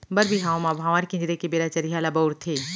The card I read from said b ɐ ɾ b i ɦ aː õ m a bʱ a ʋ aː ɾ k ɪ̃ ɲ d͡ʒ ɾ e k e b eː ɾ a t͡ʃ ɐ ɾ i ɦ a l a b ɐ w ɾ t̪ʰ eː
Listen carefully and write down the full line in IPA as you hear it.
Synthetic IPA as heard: b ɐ ɾ b i ɦ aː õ m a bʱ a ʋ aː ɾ k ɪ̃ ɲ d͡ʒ ɾ e k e b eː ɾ a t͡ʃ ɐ ɾ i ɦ a l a b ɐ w ɾ t̪ʰ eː